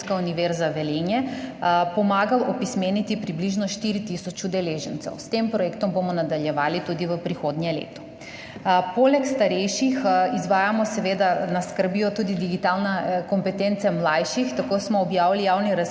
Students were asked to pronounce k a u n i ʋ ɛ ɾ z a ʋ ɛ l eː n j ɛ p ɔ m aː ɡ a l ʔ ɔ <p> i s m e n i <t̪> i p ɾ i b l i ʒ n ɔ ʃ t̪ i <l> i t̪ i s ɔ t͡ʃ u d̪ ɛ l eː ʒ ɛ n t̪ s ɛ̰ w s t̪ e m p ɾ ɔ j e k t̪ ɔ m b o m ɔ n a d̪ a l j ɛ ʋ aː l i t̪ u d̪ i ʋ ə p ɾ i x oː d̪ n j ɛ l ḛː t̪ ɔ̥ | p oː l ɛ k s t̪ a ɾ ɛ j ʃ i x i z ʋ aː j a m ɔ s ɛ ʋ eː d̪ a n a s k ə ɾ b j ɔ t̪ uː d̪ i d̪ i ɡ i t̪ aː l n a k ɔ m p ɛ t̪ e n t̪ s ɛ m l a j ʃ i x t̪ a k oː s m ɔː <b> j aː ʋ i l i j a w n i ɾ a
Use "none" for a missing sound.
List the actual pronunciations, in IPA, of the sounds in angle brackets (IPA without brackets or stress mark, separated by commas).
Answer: p, t̪, ɾ, b